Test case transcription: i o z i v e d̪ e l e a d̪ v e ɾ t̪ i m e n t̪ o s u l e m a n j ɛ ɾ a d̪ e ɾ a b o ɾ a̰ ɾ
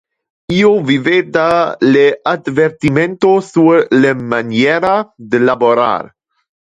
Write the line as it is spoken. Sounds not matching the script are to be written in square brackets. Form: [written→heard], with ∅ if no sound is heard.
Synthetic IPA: i o [z→v] i v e d̪ [e→a] l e a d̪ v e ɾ t̪ i m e n t̪ o s u l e m a n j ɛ ɾ a d̪ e [ɾ→l] a b o ɾ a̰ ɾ